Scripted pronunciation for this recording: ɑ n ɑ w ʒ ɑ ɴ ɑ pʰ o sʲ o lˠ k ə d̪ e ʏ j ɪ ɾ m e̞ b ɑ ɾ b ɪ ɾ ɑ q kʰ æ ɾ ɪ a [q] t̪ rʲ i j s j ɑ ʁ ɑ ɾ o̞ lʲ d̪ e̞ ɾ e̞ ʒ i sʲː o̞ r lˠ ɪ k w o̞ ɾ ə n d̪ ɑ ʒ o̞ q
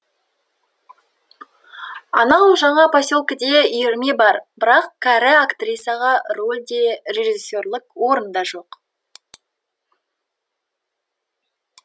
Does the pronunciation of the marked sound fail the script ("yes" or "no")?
yes